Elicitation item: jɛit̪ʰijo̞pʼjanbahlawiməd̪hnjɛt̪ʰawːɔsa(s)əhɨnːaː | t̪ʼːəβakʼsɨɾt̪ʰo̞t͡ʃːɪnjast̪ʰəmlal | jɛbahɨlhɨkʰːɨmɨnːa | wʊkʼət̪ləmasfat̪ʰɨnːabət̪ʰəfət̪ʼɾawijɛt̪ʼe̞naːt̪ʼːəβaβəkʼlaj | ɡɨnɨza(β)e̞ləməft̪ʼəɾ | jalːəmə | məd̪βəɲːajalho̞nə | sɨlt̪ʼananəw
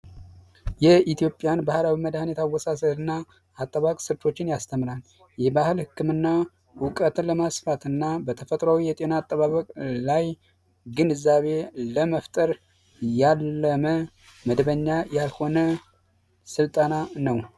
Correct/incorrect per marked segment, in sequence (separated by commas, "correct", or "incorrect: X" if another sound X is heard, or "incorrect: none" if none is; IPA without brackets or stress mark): correct, correct